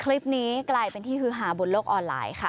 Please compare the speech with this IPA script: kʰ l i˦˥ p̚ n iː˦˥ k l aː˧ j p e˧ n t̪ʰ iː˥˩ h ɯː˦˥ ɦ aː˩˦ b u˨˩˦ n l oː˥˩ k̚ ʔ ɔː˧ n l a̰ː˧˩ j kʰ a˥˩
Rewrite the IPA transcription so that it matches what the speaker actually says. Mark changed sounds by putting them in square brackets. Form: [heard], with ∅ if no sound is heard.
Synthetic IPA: kʰ l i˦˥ p̚ n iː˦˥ k l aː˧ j p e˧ n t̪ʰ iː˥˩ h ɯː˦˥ ɦ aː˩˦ b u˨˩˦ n l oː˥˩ k̚ ʔ ɔː˧ n l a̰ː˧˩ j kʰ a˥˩